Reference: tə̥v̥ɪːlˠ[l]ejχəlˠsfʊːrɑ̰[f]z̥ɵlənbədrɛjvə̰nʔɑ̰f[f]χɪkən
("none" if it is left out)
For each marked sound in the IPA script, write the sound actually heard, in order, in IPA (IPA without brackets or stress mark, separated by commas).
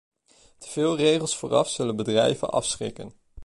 r, f, s